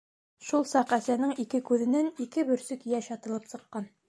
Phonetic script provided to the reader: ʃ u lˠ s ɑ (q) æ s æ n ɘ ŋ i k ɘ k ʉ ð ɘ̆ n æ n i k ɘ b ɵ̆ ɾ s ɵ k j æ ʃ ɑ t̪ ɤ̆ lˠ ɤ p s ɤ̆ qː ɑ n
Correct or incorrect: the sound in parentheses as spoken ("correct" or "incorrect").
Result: correct